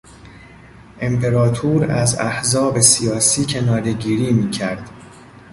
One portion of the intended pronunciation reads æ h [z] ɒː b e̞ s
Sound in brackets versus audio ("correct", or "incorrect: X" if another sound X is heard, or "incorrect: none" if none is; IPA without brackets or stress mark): correct